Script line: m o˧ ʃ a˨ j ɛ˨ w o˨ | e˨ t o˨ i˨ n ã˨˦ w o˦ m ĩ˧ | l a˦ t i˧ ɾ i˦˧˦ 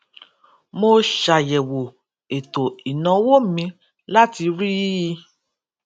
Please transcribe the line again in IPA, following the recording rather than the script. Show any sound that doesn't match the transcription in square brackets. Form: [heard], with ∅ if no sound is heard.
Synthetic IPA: m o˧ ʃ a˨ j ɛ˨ w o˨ | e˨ t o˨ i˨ n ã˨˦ w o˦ m ĩ˧ | l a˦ t i˧ ɾ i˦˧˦